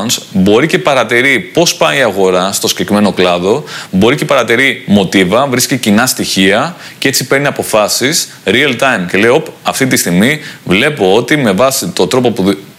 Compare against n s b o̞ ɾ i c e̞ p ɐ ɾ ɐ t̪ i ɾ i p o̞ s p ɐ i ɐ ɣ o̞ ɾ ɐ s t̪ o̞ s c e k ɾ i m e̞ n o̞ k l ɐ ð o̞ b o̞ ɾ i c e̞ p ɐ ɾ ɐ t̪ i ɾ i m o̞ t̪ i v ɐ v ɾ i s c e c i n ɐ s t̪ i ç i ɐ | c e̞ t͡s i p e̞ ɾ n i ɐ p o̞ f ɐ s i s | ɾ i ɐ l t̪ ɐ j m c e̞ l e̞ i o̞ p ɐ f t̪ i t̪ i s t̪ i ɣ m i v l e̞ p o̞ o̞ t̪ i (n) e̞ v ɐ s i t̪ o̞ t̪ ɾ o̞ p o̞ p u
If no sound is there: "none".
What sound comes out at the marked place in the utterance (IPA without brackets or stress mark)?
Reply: m